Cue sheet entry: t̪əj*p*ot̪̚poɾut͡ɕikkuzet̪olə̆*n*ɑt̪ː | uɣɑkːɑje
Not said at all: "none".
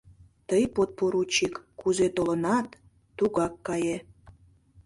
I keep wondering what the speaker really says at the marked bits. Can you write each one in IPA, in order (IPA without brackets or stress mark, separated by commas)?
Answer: p, n